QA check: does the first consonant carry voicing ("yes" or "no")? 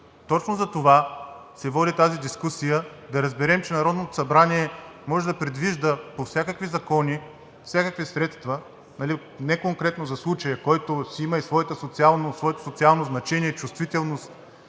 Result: no